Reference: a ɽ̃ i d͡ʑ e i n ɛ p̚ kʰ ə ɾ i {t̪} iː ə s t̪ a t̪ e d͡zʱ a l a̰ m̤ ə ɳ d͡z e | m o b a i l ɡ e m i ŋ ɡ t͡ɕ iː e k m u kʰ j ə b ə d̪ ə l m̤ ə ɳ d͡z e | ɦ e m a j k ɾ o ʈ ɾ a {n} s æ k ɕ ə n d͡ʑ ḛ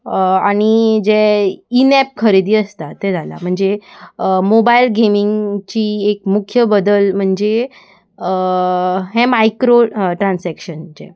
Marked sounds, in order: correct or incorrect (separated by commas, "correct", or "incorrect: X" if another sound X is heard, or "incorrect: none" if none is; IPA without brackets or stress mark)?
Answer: incorrect: d̪, correct